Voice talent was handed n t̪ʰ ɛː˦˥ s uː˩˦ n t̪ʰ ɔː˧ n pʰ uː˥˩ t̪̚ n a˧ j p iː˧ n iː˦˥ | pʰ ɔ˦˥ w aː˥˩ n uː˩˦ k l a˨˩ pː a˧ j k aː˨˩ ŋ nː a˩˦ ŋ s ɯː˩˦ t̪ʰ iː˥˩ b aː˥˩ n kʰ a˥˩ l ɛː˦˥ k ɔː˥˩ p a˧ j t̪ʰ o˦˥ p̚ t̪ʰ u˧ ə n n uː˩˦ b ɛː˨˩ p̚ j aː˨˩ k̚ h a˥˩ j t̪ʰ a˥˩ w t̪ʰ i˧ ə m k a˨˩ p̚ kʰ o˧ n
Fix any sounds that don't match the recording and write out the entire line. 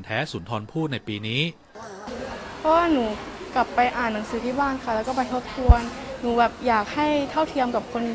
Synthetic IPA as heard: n t̪ʰ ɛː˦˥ s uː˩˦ n t̪ʰ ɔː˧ n pʰ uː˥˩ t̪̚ n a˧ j p iː˧ n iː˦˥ | pʰ ɔ˦˥ w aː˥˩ n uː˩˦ k l a˨˩ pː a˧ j ʔ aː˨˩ nː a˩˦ ŋ s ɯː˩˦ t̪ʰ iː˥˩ b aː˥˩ n kʰ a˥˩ l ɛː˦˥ k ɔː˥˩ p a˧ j t̪ʰ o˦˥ p̚ t̪ʰ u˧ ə n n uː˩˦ b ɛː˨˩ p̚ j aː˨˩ k̚ h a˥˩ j t̪ʰ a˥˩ w t̪ʰ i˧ ə m k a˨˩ p̚ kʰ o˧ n